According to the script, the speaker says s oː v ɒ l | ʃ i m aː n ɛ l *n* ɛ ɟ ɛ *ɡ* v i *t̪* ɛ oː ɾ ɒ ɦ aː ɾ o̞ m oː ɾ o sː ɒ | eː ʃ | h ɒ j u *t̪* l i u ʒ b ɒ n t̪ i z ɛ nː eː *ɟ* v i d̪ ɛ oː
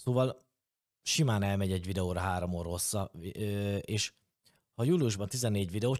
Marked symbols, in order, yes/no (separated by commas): no, no, no, no, yes